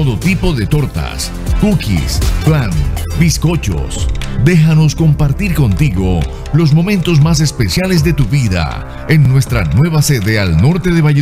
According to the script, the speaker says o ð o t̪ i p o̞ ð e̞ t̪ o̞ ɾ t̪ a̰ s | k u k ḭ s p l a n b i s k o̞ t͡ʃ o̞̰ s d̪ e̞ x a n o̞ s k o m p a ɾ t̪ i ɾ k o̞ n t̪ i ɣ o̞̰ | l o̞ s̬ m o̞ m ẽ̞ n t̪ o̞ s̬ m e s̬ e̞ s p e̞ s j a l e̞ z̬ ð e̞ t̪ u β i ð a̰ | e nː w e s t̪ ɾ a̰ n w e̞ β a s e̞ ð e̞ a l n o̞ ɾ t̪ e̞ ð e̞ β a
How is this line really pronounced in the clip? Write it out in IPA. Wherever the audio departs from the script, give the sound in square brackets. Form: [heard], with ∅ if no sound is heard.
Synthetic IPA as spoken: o ð o t̪ i p o̞ ð e̞ t̪ o̞ ɾ t̪ a̰ s | k u k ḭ s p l a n b i s k o̞ t͡ʃ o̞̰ s d̪ e̞ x a n o̞ s k o m p a ɾ t̪ i ɾ k o̞ n t̪ i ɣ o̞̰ | l o̞ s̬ m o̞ m ẽ̞ n t̪ o̞ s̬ m [a] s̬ e̞ s p e̞ s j a l e̞ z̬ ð e̞ t̪ u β i ð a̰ | e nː w e s t̪ ɾ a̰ n w e̞ β a s e̞ ð e̞ a l n o̞ ɾ t̪ e̞ ð e̞ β a